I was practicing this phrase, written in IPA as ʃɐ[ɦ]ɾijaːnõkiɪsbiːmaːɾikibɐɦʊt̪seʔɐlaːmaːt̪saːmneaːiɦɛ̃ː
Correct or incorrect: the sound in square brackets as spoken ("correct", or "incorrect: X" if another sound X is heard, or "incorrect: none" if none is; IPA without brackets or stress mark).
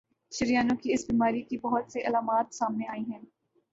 incorrect: none